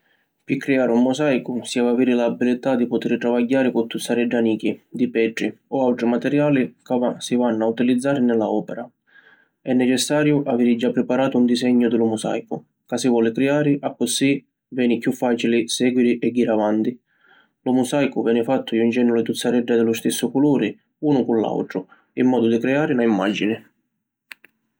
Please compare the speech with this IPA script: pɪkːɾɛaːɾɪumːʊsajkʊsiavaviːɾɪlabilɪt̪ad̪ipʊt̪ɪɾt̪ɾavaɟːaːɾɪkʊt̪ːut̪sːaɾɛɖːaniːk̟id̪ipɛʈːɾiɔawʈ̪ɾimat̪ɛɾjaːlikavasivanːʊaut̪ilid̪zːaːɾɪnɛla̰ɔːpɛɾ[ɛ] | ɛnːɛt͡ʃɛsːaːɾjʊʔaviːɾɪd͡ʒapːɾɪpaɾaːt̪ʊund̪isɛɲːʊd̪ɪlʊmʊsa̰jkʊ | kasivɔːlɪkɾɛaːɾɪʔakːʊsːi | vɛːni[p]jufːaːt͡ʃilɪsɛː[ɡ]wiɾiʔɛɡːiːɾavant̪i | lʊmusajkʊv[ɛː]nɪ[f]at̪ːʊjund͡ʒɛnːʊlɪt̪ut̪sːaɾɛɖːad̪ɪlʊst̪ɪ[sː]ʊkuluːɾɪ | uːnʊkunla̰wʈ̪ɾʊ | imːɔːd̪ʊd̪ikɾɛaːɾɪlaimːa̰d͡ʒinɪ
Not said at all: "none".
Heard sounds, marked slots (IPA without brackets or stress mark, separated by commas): a, k, ɡ, ɛː, f, sː